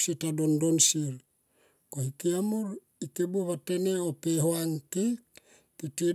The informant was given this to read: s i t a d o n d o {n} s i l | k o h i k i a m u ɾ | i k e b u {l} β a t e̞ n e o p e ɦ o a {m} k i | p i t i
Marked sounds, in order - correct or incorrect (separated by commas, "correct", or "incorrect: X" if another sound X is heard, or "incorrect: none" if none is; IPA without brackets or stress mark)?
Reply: correct, incorrect: none, incorrect: ŋ